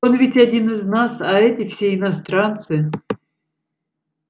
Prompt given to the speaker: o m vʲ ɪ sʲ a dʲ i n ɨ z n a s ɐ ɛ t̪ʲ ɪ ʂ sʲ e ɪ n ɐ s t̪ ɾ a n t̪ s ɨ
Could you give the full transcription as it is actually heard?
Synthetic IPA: o n vʲ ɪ tʲ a dʲ i n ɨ z n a s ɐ ɛ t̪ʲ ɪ f sʲ e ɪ n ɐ s t̪ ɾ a n t̪ s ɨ